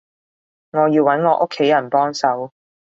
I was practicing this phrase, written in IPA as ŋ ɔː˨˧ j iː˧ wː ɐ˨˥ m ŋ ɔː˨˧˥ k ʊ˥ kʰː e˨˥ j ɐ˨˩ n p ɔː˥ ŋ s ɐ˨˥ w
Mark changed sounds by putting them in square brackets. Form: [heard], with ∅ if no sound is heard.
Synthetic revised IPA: ŋ ɔː˨˧ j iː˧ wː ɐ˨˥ [n] ŋ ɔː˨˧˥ [ʔ] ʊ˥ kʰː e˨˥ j ɐ˨˩ n p ɔː˥ ŋ s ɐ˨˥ w